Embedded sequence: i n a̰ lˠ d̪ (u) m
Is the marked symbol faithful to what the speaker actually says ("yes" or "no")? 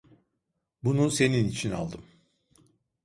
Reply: no